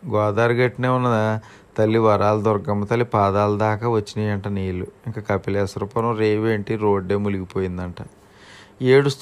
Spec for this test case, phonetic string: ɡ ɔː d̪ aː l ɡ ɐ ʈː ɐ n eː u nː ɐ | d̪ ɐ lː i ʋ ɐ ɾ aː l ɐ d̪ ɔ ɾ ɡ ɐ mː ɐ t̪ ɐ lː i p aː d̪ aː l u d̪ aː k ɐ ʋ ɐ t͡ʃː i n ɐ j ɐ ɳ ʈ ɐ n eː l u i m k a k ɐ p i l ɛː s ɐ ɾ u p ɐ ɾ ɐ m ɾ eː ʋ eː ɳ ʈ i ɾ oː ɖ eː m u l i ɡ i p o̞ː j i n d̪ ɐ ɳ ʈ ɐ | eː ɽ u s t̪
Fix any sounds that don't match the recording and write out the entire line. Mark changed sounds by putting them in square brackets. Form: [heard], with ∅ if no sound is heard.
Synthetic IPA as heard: ɡ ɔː d̪ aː [ɾ] ɡ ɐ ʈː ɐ n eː u nː ɐ | [t̪] ɐ lː i ʋ ɐ ɾ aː l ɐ d̪ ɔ ɾ ɡ ɐ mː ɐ t̪ ɐ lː i p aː d̪ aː l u d̪ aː k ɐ ʋ ɐ t͡ʃː i n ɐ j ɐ ɳ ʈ ɐ n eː l u i [ŋ] k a k ɐ p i l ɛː s ɐ ɾ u p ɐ ɾ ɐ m ɾ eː ʋ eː ɳ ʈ i ɾ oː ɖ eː m u l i ɡ i p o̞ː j i n d̪ ɐ ɳ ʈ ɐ | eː ɽ u s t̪